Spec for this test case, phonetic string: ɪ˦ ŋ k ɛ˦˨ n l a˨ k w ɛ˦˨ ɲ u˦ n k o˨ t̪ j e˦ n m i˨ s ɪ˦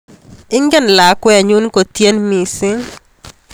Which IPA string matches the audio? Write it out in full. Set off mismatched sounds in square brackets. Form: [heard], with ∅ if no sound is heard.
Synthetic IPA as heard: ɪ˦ ŋ [ɡ] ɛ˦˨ n l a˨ k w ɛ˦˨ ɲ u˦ n k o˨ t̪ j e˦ n m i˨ s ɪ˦